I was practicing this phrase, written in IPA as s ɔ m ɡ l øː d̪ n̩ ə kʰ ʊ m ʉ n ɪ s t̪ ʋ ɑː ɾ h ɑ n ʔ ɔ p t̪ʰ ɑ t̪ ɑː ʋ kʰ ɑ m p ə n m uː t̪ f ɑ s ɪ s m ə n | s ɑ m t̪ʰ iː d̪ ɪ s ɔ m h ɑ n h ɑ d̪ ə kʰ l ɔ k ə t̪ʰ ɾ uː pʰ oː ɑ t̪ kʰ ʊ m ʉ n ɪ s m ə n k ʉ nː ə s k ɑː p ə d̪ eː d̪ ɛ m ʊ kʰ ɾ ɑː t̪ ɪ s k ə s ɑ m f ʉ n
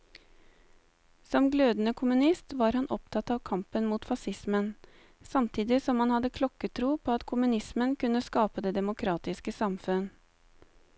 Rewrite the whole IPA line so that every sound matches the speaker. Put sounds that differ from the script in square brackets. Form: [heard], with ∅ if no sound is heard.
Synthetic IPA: s ɔ m ɡ l øː d̪ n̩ ə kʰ ʊ m ʉ n ɪ s t̪ ʋ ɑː ɾ h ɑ n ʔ ɔ p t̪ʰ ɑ t̪ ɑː ʋ kʰ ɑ m p ə n m uː t̪ f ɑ s ɪ s m ə n | s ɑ m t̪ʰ iː d̪ ɪ s ɔ m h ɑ n h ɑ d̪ ə kʰ l ɔ k ə t̪ʰ ɾ uː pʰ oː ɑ t̪ kʰ ʊ m ʉ n ɪ s m ə n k ʉ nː ə s k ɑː p ə d̪ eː d̪ ɛ m ʊ kʰ ɾ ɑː t̪ ɪ s k ə s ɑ m f ʉ n